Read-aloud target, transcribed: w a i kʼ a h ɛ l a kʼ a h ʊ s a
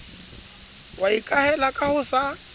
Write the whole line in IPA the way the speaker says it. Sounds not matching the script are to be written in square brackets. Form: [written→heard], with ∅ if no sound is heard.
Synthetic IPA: w a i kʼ a h ɛ l a kʼ a h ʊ s a

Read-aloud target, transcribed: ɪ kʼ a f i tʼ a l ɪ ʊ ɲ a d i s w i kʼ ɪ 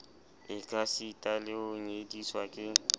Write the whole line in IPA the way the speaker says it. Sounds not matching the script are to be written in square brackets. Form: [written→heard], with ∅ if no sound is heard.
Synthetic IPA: ɪ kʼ a [f→s] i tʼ a l ɪ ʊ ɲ [a→e] d i s w [i→a] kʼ ɪ

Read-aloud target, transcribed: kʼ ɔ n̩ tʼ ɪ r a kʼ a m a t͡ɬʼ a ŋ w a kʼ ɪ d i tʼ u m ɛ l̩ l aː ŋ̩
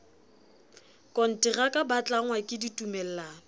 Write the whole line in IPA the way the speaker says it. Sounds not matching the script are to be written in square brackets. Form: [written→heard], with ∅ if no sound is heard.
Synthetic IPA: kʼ ɔ n̩ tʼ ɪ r a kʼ a [m→b] a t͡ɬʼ a ŋ w a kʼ ɪ d i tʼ u m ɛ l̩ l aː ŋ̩

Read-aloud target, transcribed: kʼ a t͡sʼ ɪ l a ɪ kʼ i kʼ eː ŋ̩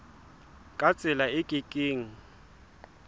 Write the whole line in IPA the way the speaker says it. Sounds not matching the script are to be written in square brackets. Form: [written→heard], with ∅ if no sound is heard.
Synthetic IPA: kʼ a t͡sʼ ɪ l a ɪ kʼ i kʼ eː ŋ̩

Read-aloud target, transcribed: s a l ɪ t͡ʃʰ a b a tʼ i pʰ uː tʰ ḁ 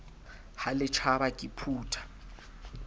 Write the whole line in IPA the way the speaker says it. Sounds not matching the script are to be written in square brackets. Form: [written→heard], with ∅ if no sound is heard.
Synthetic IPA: [s→h] a l ɪ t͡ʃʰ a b a [tʼ→kʼ] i pʰ uː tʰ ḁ

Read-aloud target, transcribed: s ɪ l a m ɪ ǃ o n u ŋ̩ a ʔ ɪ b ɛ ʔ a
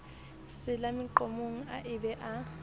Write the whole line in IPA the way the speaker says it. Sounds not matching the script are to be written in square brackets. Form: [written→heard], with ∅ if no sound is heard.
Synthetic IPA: s ɪ l a m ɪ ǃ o [n→m] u ŋ̩ a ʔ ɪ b ɛ ʔ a

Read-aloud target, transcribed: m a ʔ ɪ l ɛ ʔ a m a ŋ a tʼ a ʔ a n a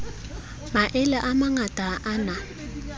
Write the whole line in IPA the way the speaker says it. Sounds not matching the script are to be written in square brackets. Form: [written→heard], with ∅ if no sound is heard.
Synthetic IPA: m a ʔ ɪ l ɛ ʔ a m a ŋ a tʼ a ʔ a n a

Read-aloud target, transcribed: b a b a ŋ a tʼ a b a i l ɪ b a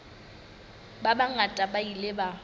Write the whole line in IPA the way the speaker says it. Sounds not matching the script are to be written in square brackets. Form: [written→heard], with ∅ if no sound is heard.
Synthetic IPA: b a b a ŋ a tʼ a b a i l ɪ b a

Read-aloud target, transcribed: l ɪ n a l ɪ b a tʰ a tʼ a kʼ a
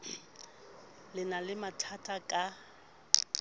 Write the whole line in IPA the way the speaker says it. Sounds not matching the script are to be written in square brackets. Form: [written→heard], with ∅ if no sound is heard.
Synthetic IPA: l ɪ n a l ɪ [b→m] a tʰ a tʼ a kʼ a

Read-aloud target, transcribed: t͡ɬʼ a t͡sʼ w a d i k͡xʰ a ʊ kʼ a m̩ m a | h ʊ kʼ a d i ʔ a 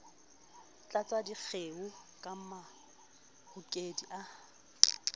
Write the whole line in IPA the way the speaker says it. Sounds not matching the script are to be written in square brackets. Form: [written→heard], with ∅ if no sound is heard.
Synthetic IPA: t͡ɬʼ a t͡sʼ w a d i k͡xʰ [a→e] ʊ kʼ a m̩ m a | h ʊ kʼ [a→e] d i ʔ a

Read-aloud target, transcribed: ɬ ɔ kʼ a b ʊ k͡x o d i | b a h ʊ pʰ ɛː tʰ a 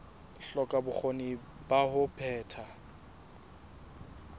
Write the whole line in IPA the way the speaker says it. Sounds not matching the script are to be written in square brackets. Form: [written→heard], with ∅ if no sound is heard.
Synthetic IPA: ɬ ɔ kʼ a b ʊ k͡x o [d→n] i | b a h ʊ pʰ ɛː tʰ a

